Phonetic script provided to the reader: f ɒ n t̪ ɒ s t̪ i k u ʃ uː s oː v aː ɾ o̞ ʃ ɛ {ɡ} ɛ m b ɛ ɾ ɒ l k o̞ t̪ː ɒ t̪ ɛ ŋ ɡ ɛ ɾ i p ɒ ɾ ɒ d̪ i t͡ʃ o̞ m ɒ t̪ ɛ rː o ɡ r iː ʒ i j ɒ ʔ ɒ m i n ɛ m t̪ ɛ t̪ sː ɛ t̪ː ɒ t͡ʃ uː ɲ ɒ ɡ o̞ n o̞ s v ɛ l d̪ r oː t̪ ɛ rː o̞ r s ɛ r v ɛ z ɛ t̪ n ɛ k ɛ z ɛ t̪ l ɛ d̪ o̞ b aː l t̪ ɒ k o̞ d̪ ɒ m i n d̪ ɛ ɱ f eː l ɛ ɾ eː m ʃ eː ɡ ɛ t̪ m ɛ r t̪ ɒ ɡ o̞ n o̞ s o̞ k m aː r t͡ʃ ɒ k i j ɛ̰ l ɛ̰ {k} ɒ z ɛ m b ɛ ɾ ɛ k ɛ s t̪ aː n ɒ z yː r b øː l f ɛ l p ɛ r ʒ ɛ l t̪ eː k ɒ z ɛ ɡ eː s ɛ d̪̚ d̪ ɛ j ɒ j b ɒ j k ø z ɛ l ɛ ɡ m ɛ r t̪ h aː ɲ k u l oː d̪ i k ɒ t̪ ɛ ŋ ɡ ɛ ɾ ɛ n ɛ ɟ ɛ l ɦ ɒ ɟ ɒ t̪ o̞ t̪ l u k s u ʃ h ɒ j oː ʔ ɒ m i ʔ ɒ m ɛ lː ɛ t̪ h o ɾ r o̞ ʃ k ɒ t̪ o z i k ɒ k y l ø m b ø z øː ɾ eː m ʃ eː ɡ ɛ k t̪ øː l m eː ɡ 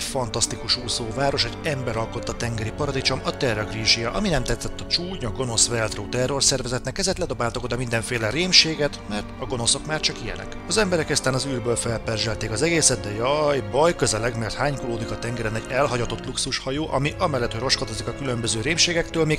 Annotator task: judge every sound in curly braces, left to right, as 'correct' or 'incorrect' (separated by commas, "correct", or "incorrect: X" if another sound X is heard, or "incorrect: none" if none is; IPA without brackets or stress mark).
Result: incorrect: ɟ, correct